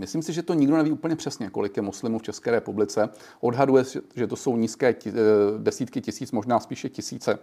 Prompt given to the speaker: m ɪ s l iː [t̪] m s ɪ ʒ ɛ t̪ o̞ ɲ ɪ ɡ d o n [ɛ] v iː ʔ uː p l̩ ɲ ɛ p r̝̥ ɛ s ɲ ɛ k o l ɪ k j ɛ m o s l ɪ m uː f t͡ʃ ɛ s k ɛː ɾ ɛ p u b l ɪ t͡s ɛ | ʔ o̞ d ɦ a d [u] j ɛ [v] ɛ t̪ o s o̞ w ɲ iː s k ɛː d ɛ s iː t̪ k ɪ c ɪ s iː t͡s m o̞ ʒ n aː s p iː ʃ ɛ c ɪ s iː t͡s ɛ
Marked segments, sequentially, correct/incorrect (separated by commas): incorrect, correct, correct, incorrect